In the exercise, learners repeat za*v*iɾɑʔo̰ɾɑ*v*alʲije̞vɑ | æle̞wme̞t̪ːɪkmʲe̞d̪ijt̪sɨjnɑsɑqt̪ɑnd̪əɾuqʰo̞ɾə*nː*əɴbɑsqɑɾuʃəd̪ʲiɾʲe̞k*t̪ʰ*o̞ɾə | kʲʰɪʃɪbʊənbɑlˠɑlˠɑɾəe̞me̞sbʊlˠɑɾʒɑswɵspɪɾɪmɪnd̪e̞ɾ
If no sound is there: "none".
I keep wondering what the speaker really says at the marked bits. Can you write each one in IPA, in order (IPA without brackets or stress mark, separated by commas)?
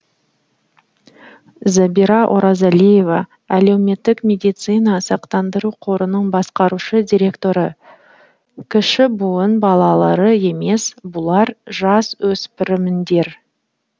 b, z, n, t̪